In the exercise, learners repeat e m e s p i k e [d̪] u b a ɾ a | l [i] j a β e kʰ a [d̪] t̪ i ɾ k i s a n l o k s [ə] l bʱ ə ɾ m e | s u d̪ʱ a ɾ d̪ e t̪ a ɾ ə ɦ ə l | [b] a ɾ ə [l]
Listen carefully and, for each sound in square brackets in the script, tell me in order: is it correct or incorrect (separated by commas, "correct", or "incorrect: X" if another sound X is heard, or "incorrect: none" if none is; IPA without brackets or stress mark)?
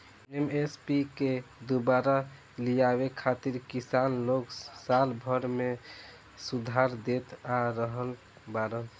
correct, correct, incorrect: none, incorrect: a, correct, correct